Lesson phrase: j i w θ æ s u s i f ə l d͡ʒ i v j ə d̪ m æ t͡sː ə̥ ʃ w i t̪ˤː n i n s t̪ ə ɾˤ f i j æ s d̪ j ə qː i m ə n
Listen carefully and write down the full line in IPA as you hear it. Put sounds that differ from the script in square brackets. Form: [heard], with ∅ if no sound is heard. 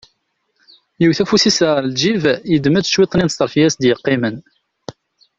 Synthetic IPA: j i w θ æ [f] u s i [s] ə l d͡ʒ i v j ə d̪ m æ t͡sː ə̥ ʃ w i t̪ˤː n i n s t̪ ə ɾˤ f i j æ s d̪ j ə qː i m ə n

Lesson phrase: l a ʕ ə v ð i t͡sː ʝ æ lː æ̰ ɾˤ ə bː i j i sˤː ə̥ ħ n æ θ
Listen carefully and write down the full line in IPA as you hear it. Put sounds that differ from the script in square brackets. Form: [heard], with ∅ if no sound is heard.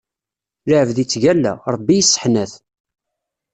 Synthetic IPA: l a ʕ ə v ð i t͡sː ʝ æ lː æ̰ ɾˤ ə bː i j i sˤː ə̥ ħ n æ θ

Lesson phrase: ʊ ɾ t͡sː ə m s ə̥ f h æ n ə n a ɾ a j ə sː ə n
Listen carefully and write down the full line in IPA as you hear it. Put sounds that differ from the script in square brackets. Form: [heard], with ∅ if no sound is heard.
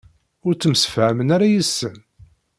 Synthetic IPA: ʊ ɾ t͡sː ə m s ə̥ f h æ [m] ə n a ɾ a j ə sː ə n

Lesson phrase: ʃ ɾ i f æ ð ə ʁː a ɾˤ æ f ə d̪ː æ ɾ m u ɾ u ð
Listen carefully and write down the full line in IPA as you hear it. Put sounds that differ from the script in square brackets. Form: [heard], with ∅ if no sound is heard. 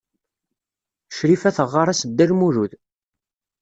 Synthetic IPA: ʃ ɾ i f æ [θ] ə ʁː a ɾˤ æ [s] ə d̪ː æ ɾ m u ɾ u ð

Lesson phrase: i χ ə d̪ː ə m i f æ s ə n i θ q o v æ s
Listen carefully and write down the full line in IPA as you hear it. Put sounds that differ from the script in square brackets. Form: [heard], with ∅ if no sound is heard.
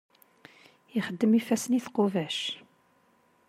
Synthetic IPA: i χ ə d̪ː ə m i f æ s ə n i θ q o v æ [ʃ]

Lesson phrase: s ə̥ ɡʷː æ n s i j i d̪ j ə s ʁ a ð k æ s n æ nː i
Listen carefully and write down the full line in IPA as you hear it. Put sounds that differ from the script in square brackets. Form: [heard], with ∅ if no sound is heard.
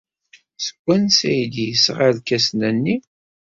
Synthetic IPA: s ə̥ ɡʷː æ n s [æ] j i d̪ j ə s ʁ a ð k æ s n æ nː i

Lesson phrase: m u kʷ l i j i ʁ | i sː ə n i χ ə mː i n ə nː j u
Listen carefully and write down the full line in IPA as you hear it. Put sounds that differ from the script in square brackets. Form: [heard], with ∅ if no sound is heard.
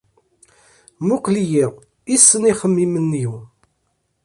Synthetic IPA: m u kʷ l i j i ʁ | i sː ə n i χ ə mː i [m] ə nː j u

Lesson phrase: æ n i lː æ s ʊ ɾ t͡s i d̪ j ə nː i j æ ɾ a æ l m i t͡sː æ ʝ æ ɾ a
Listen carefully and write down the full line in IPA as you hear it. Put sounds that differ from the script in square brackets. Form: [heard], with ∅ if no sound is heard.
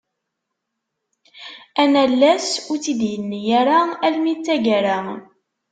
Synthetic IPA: æ n [æ] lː æ s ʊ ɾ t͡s i d̪ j ə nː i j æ ɾ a æ l m i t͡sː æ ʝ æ ɾ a

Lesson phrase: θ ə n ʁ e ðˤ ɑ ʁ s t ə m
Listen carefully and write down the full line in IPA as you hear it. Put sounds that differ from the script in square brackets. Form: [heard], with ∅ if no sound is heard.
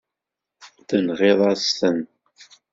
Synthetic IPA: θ ə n ʁ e ðˤ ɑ [∅] s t ə [n]

